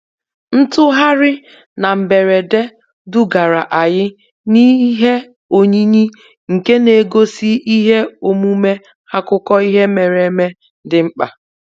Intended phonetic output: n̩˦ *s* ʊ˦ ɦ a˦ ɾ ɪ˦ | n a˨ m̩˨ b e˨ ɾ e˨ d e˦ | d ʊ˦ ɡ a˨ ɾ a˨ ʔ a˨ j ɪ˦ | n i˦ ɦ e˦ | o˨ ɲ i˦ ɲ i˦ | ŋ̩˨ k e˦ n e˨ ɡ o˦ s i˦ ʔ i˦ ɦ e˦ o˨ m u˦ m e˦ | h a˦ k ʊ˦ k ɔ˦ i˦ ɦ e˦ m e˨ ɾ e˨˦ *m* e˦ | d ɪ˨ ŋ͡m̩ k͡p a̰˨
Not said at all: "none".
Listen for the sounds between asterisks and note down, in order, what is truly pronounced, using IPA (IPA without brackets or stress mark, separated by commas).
t, m